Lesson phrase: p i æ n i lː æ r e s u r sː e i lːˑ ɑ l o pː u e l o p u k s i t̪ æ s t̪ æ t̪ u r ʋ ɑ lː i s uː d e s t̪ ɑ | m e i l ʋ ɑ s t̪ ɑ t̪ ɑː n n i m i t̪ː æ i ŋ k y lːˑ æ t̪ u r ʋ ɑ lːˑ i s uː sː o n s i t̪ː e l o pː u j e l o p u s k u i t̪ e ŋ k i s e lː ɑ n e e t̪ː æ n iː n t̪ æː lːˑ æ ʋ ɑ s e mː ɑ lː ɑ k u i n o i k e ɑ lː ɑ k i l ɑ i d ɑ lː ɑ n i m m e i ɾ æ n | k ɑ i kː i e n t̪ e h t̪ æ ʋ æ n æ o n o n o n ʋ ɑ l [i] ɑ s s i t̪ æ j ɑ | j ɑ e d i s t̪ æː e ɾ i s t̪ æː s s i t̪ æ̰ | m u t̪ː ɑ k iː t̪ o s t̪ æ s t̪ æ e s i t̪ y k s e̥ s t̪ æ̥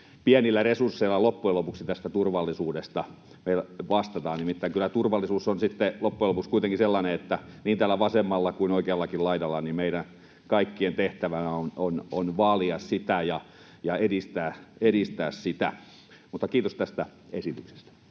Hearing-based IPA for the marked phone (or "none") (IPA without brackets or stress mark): i